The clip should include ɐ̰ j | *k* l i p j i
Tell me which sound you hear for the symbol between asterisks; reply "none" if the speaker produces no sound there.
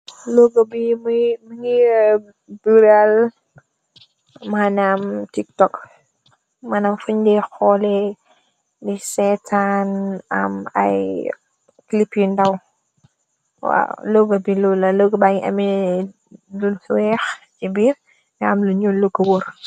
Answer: k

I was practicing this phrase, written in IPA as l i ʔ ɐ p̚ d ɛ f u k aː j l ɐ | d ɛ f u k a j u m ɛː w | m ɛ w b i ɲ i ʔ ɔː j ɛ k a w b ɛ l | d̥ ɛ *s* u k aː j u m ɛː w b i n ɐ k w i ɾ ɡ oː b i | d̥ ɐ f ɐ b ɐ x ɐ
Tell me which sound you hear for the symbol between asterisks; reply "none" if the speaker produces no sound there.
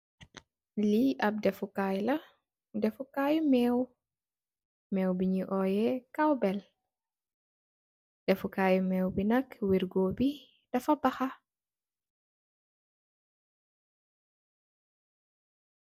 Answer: f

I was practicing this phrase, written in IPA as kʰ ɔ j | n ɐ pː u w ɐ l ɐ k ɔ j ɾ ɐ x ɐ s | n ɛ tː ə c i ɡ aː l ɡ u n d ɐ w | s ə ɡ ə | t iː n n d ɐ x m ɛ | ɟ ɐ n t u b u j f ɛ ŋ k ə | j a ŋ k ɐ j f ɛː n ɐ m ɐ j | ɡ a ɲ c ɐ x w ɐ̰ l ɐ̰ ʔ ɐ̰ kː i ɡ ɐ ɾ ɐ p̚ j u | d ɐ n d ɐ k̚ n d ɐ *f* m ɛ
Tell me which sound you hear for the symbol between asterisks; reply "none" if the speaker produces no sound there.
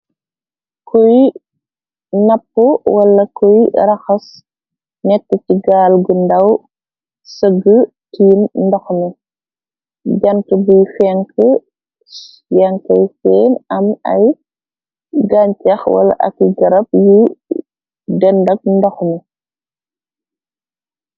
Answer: x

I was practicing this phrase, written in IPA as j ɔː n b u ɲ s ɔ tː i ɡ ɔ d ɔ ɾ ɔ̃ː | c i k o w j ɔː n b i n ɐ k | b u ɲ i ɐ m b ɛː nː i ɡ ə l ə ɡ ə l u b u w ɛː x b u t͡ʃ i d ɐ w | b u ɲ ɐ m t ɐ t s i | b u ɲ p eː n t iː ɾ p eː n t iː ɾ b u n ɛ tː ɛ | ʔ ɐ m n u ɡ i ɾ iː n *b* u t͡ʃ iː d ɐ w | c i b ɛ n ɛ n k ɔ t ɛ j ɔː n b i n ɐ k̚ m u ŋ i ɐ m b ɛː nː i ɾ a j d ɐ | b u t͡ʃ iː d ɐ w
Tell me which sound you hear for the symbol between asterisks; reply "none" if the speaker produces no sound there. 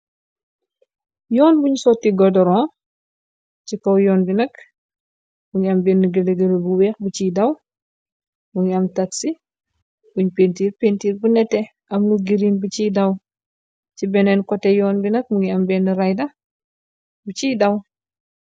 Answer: b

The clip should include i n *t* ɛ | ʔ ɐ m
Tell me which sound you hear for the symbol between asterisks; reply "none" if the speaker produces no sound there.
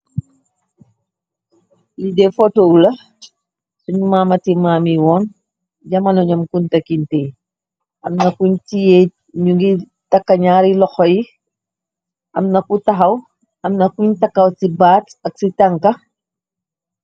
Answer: t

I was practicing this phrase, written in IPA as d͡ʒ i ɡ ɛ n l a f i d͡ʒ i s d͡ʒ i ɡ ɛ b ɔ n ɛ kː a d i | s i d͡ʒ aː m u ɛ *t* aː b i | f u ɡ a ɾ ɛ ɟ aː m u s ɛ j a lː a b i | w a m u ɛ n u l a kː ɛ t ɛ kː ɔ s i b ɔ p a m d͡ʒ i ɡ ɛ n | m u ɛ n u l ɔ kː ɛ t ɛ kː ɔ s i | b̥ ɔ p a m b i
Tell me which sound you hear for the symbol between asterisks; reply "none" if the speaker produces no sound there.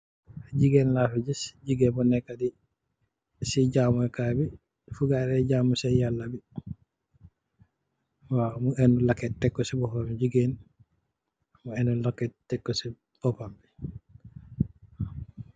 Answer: k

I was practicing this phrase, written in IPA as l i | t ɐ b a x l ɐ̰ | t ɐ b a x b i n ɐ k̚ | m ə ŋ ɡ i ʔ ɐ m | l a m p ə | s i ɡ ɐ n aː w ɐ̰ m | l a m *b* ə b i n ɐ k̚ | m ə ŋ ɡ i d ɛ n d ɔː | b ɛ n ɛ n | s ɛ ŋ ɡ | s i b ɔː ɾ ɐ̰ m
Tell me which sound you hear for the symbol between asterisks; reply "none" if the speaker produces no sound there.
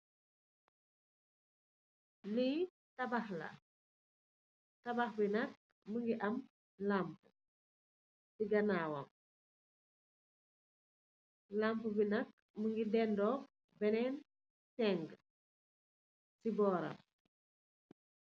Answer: p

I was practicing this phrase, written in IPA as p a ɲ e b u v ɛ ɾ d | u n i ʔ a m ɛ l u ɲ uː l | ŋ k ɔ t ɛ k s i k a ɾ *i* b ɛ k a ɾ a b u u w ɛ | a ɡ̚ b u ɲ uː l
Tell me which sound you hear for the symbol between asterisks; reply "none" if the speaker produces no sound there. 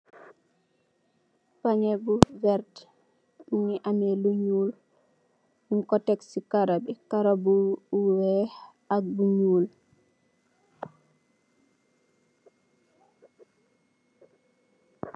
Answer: a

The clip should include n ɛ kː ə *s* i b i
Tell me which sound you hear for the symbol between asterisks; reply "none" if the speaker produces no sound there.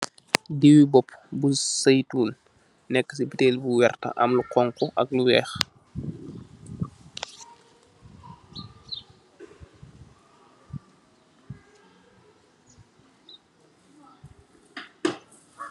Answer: s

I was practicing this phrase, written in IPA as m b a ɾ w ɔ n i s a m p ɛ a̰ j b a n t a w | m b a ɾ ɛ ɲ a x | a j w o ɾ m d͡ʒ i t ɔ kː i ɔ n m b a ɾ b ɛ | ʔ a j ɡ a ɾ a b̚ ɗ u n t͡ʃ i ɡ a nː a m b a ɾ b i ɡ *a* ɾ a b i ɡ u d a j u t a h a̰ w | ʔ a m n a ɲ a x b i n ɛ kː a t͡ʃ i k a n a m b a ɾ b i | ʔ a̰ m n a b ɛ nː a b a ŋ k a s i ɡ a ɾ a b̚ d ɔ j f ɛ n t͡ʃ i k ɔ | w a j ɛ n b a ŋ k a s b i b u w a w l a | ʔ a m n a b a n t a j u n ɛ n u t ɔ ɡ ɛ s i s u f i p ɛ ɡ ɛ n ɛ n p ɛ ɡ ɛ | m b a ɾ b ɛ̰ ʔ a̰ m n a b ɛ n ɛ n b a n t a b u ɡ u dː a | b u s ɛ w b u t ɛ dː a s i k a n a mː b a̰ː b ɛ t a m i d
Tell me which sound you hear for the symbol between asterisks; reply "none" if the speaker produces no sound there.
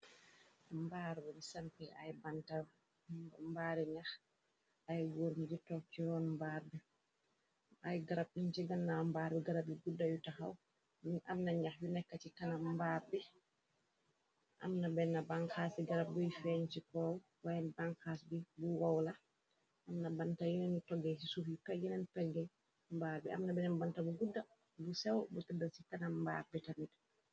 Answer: a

